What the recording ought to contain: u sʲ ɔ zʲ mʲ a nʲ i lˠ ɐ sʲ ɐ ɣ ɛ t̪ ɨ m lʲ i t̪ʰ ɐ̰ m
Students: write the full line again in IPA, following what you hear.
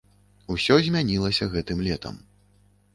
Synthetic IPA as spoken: u sʲ ɔ zʲ mʲ a nʲ i lˠ ɐ sʲ ɐ ɣ ɛ t̪ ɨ m lʲ ɛ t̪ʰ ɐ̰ m